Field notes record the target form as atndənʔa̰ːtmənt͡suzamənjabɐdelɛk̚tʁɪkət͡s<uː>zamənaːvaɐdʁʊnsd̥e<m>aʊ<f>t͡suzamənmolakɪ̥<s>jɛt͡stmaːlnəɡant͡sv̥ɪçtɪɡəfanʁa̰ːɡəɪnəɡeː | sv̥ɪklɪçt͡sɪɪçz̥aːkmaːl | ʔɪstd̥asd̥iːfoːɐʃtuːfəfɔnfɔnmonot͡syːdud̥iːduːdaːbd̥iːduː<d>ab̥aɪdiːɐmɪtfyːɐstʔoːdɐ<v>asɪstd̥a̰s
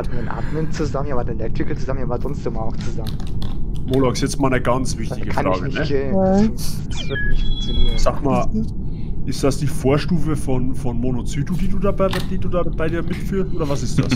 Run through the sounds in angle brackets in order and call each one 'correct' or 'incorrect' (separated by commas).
incorrect, correct, incorrect, correct, correct, correct